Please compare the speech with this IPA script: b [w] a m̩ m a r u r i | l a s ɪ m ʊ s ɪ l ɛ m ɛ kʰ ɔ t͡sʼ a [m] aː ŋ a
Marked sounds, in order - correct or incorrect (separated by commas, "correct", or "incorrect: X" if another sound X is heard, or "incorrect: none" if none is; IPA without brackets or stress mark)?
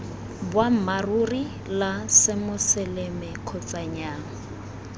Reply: correct, incorrect: ɲ